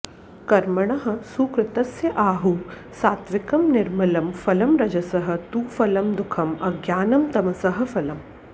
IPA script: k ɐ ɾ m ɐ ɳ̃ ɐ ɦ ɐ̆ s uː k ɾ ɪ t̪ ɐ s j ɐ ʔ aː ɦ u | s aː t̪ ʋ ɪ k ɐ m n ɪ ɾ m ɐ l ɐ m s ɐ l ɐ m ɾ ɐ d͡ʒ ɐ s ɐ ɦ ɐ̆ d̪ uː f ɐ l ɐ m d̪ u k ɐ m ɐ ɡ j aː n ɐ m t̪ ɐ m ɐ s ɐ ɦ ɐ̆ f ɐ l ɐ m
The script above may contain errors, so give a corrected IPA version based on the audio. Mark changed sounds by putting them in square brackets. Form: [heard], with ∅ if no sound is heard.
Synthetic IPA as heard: k ɐ ɾ m ɐ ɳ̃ ɐ ɦ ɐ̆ s uː k ɾ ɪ t̪ ɐ s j ɐ ʔ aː ɦ u | s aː t̪ ʋ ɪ k ɐ m n ɪ ɾ m ɐ l ɐ m [f] ɐ l ɐ m ɾ ɐ d͡ʒ ɐ s ɐ ɦ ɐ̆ [t̪] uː f ɐ l ɐ m d̪ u [kʰ] ɐ m ɐ ɡ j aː n ɐ m t̪ ɐ m ɐ s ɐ ɦ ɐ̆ f ɐ l ɐ m

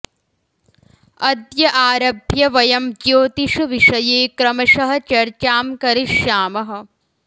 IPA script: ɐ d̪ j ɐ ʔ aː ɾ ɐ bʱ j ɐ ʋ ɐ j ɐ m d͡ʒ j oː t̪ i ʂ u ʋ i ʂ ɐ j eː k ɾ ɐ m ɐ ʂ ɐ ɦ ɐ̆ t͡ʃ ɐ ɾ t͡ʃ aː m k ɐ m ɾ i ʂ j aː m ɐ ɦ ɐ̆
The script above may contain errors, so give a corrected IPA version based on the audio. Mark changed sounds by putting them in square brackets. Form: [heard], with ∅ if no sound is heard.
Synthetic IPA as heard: ɐ d̪ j ɐ ʔ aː ɾ ɐ bʱ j ɐ ʋ ɐ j ɐ m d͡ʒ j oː t̪ i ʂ u ʋ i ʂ ɐ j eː k ɾ ɐ m ɐ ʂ ɐ ɦ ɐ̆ t͡ʃ ɐ ɾ t͡ʃ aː m k ɐ [∅] ɾ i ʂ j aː m ɐ ɦ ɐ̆

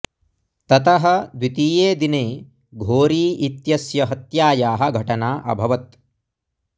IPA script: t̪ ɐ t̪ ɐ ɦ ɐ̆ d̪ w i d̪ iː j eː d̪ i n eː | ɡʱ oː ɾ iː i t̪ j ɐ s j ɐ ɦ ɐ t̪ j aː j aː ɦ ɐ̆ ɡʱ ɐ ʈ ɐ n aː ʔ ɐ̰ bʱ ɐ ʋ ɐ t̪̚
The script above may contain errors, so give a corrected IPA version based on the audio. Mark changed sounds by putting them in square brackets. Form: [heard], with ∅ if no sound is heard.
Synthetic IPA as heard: t̪ ɐ t̪ ɐ ɦ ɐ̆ d̪ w i [t̪] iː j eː d̪ i n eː | ɡʱ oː ɾ iː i t̪ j ɐ s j ɐ ɦ ɐ t̪ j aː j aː ɦ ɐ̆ ɡʱ ɐ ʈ ɐ n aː ʔ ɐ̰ bʱ ɐ ʋ ɐ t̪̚

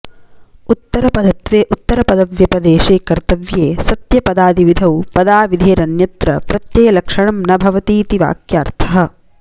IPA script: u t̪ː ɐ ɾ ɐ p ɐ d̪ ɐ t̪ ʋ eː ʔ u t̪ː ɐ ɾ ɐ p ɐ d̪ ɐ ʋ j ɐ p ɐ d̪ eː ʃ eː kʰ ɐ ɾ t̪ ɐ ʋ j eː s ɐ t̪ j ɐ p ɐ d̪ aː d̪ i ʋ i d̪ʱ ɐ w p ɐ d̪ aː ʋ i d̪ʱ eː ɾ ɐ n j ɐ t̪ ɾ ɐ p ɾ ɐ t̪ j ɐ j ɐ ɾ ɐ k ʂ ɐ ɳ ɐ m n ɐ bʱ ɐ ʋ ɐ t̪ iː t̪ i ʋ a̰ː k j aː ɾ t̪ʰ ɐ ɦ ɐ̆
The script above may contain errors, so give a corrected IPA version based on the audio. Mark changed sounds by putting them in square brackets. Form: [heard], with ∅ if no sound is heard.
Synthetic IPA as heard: u t̪ː ɐ ɾ ɐ p ɐ d̪ ɐ t̪ ʋ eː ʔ u t̪ː ɐ ɾ ɐ p ɐ d̪ ɐ ʋ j ɐ p ɐ d̪ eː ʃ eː [k] ɐ ɾ t̪ ɐ ʋ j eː s ɐ t̪ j ɐ p ɐ d̪ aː d̪ i ʋ i d̪ʱ ɐ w p ɐ d̪ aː ʋ i d̪ʱ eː ɾ ɐ n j ɐ t̪ ɾ ɐ p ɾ ɐ t̪ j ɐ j ɐ [l] ɐ k ʂ ɐ ɳ ɐ m n ɐ bʱ ɐ ʋ ɐ t̪ iː t̪ i ʋ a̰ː k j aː ɾ t̪ʰ ɐ ɦ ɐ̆

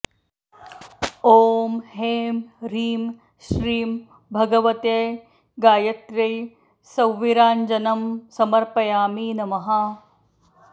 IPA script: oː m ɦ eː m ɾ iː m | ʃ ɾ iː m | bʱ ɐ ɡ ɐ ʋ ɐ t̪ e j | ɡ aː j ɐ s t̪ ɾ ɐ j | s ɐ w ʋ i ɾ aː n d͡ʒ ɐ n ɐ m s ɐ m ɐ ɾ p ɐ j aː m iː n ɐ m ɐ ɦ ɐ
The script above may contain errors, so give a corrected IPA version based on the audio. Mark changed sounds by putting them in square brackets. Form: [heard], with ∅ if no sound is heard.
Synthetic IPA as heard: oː m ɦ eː m ɾ iː m | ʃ ɾ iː m | bʱ ɐ ɡ ɐ ʋ ɐ t̪ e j | ɡ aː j ɐ [∅] t̪ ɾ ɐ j | s ɐ w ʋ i ɾ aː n d͡ʒ ɐ n ɐ m s ɐ m ɐ ɾ p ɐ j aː m iː n ɐ m ɐ ɦ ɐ

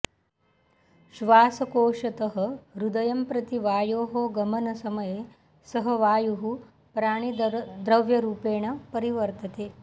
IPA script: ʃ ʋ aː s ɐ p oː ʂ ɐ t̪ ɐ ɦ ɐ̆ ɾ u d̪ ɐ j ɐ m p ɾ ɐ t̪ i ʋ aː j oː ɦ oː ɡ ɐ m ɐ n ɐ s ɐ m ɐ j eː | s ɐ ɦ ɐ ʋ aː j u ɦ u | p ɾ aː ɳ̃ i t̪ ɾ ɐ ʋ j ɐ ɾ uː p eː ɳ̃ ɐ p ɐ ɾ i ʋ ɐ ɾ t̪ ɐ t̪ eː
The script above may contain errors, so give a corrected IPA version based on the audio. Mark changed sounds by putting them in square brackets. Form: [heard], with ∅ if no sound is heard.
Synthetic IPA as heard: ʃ ʋ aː s ɐ [k] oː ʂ ɐ t̪ ɐ ɦ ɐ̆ ɾ u d̪ ɐ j ɐ m p ɾ ɐ t̪ i ʋ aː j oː ɦ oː ɡ ɐ m ɐ n ɐ s ɐ m ɐ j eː | s ɐ ɦ ɐ ʋ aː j u ɦ u | p ɾ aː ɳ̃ i [d̪] ɾ ɐ ʋ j ɐ ɾ uː p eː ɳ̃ ɐ p ɐ ɾ i ʋ ɐ ɾ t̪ ɐ t̪ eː

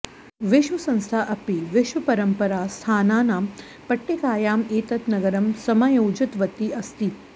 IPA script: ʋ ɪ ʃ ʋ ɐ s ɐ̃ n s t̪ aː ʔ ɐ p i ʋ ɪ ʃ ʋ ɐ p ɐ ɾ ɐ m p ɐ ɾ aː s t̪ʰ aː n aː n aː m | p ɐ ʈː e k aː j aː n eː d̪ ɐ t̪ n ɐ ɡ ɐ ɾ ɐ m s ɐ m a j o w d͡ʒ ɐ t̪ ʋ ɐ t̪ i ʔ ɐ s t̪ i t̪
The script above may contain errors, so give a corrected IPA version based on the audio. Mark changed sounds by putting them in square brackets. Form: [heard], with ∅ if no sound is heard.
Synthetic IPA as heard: ʋ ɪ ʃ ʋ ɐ s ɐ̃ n s [t̪ʰ] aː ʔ ɐ p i ʋ ɪ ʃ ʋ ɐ p ɐ ɾ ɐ m p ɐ ɾ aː s t̪ʰ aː n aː n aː m | p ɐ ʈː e k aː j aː [m] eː [t̪] ɐ t̪ n ɐ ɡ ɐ ɾ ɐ m s ɐ m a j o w d͡ʒ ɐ t̪ ʋ ɐ t̪ i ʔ ɐ s t̪ i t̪

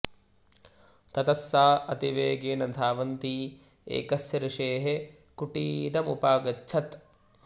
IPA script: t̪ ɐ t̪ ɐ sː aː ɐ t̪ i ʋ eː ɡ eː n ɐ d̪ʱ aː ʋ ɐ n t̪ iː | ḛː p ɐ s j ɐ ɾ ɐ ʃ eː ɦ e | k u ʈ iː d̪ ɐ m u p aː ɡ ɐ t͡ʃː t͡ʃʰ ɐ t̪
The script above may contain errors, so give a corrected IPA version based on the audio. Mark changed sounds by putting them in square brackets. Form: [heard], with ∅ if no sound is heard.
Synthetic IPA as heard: t̪ ɐ t̪ ɐ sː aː ɐ t̪ i ʋ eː ɡ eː n ɐ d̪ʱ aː ʋ ɐ n t̪ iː | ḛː [k] ɐ s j ɐ ɾ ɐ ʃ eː ɦ e | k u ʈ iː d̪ ɐ m u p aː ɡ ɐ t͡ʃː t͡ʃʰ ɐ t̪

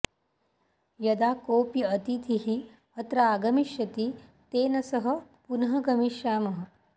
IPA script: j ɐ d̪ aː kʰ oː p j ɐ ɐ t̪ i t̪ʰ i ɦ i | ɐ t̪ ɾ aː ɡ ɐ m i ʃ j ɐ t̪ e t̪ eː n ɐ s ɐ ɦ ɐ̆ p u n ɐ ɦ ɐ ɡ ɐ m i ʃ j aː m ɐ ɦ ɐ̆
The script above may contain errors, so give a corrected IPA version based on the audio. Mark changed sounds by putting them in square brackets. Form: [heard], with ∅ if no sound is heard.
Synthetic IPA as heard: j ɐ d̪ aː [k] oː p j ɐ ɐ t̪ i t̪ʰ i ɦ i | ɐ t̪ ɾ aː ɡ ɐ m i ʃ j ɐ t̪ [i] t̪ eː n ɐ s ɐ ɦ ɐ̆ p u n ɐ ɦ ɐ ɡ ɐ m i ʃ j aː m ɐ ɦ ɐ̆

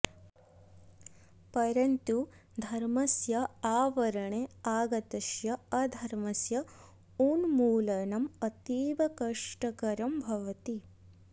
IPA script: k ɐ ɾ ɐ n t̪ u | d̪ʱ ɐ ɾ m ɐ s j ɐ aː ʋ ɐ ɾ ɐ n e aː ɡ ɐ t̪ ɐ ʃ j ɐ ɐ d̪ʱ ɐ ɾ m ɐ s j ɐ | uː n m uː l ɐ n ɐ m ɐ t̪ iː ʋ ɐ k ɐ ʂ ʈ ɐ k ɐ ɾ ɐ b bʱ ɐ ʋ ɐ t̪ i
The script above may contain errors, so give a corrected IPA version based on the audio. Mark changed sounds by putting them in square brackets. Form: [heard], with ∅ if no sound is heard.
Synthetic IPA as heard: [p] ɐ ɾ ɐ n t̪ u | d̪ʱ ɐ ɾ m ɐ s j ɐ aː ʋ ɐ ɾ ɐ [ɳ] e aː ɡ ɐ t̪ ɐ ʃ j ɐ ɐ d̪ʱ ɐ ɾ m ɐ s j ɐ | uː n m uː l ɐ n ɐ m ɐ t̪ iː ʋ ɐ k ɐ ʂ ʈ ɐ k ɐ ɾ ɐ [m] bʱ ɐ ʋ ɐ t̪ i

